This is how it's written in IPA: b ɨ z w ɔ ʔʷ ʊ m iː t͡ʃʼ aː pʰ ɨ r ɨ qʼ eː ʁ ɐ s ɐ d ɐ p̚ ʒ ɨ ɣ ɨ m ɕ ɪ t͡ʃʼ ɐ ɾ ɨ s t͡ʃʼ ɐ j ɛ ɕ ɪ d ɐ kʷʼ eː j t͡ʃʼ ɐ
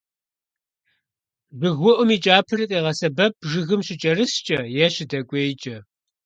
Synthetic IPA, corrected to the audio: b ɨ ɣ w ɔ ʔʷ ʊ m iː t͡ʃʼ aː pʰ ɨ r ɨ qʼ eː ʁ ɐ s ɐ b ɐ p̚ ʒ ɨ ɣ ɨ m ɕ ɪ t͡ʃʼ ɐ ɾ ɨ s t͡ʃʼ ɐ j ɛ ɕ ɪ d ɐ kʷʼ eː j t͡ʃʼ ɐ